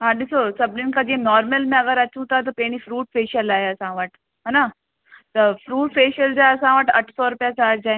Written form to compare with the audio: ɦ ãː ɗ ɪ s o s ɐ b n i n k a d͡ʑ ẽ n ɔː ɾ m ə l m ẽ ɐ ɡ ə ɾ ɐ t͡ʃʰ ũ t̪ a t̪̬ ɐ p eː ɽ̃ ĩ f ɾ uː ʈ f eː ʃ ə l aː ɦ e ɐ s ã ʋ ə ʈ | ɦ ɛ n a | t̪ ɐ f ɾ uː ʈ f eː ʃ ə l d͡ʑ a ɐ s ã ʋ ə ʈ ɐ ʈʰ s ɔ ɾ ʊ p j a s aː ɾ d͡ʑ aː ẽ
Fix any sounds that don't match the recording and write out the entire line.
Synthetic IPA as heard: ɦ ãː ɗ ɪ s o s ɐ b n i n k a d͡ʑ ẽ n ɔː ɾ m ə l m ẽ ɐ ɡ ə ɾ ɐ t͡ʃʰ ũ t̪ a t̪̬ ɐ p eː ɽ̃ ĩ f ɾ uː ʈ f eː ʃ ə l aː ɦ e ɐ s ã ʋ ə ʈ | ɦ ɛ n a | t̪ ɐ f ɾ uː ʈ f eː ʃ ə l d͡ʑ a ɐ s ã ʋ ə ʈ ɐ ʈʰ s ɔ ɾ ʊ p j a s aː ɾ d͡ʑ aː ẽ